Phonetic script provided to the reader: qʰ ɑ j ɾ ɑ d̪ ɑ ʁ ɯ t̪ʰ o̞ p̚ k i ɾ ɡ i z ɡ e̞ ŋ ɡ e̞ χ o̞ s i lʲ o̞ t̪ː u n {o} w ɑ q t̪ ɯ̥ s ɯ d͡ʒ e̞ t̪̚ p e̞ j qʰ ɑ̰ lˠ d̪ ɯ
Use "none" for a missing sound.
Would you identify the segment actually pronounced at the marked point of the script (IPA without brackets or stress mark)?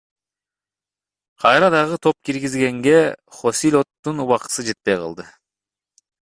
u